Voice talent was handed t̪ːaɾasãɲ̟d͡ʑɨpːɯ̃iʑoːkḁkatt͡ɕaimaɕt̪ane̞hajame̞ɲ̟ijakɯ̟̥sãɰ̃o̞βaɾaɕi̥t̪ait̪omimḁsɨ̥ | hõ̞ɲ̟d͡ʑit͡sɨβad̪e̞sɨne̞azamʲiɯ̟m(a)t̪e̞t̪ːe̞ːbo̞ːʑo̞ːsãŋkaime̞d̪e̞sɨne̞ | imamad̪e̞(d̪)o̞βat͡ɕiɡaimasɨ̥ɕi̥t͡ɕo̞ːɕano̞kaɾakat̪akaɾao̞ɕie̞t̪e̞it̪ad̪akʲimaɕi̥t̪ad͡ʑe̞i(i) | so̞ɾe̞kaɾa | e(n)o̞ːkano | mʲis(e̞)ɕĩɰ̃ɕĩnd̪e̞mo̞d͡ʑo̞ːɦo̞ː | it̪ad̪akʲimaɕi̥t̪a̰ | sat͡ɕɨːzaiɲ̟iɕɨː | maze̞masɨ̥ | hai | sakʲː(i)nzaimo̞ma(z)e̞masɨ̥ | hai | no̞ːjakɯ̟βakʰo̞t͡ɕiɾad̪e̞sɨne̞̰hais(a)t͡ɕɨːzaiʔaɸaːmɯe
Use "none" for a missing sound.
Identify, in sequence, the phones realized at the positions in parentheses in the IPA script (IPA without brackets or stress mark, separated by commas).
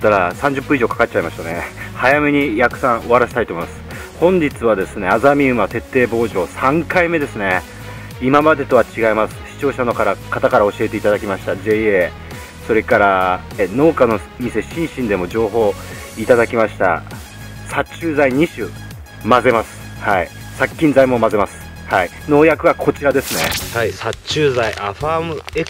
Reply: a, t̪, e, n, e̞, ĩ, z, a